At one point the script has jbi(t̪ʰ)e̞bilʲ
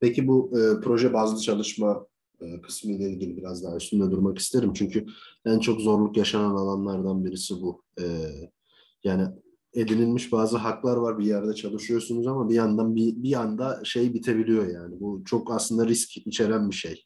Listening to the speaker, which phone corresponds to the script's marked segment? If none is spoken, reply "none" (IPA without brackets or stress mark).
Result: t̪ʰ